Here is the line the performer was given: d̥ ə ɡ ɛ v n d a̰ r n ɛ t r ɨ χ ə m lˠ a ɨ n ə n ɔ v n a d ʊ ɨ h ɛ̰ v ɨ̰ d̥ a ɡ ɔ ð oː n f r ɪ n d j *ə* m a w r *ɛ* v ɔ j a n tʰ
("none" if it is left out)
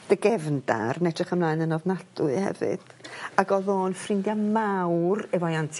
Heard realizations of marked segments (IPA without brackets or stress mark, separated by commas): a, ɛ